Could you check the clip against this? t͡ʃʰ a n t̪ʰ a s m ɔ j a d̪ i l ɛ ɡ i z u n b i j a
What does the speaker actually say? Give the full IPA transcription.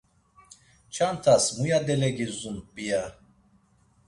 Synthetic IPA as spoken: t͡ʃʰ a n t̪ʰ a s m u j a d̪ ɛ l ɛ ɡ i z u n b i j a